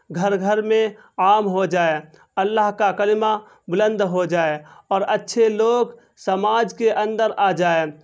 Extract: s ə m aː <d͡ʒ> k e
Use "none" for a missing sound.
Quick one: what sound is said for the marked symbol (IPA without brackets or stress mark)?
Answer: d͡ʒ